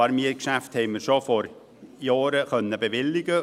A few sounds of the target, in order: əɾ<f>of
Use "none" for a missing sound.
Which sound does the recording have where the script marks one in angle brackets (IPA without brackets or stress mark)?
ʃ